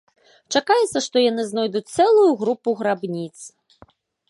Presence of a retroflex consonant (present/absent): present